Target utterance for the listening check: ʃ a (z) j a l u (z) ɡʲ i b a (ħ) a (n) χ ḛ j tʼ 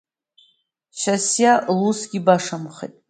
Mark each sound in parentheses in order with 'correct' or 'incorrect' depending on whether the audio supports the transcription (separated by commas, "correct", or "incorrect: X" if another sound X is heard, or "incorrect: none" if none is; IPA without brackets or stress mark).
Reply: incorrect: s, incorrect: s, incorrect: ʂ, incorrect: m